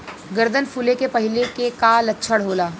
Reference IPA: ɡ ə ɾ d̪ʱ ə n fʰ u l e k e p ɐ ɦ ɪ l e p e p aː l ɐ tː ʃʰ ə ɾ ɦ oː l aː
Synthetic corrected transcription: ɡ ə ɾ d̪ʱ ə n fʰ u l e k e p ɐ ɦ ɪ l e k e k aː l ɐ tː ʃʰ ə ɽ ɦ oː l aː